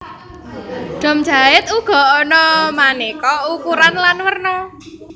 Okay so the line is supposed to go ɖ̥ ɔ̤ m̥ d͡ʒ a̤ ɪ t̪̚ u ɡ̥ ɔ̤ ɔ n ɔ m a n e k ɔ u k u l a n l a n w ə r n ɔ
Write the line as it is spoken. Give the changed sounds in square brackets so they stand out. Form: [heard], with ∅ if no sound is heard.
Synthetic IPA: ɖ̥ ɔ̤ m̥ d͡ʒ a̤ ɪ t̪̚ u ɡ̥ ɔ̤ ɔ n ɔ m a n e k ɔ u k u [ɾ] a n l a n w ə r n ɔ